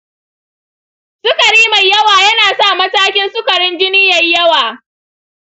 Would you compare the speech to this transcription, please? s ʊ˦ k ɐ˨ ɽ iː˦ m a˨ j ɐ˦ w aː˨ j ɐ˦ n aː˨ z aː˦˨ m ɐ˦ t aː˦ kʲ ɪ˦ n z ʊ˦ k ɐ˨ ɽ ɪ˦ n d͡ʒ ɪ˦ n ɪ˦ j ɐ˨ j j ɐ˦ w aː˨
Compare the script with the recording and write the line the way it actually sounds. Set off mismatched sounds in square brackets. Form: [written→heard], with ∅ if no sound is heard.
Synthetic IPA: s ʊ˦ k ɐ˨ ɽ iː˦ m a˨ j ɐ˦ w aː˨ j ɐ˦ n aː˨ [z→s] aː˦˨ m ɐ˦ t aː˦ kʲ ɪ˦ n [z→s] ʊ˦ k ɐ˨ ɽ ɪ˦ n d͡ʒ ɪ˦ n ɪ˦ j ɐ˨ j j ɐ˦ w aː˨

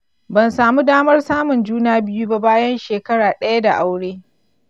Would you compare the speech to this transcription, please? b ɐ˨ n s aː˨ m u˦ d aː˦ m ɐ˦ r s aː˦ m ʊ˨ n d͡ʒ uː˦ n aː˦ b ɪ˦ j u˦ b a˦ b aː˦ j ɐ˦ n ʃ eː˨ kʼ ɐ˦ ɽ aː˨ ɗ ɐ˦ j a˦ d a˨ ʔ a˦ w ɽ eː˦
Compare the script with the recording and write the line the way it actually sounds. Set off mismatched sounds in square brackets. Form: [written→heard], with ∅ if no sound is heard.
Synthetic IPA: b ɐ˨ n s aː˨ m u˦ d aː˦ m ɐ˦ r s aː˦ m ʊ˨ n d͡ʒ uː˦ n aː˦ b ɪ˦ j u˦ b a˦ b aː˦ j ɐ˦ n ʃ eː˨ [kʼ→k] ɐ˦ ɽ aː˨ ɗ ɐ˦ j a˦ d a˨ ʔ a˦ w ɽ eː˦

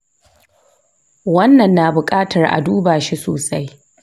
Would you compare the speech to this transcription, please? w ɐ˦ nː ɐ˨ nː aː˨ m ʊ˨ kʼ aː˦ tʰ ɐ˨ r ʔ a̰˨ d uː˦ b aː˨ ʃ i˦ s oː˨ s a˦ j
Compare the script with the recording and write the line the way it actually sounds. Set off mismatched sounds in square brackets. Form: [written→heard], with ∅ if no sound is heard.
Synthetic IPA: w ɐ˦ nː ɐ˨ nː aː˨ [m→b] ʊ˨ kʼ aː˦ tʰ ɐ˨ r ʔ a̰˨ d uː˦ b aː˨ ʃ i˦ s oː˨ s a˦ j

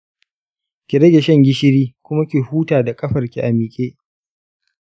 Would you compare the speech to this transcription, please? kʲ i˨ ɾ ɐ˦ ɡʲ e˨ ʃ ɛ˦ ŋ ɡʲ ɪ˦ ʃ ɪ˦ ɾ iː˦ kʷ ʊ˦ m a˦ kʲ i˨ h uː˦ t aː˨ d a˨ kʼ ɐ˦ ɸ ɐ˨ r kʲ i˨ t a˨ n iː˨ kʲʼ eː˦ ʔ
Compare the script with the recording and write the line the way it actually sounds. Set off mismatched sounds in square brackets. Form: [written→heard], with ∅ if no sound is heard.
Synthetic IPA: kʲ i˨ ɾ ɐ˦ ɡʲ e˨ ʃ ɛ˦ ŋ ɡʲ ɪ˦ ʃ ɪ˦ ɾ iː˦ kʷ ʊ˦ m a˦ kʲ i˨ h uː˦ t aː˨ d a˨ kʼ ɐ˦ ɸ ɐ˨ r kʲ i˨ [t→ʔ] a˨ [n→m] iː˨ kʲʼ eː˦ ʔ

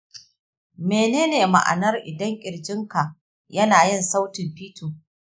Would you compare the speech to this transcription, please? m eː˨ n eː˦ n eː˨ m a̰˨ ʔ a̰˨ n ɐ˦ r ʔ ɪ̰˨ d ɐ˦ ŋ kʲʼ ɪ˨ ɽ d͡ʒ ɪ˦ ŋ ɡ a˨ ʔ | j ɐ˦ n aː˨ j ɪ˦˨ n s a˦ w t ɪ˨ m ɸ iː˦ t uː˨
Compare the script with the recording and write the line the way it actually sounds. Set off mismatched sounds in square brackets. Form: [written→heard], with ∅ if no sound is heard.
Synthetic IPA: m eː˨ n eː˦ n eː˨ m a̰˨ ʔ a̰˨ n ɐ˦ r ʔ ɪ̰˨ d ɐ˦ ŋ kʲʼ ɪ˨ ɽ d͡ʒ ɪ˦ ŋ [ɡ→k] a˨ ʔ | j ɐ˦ n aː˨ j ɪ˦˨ n s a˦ w t ɪ˨ m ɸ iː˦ t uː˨

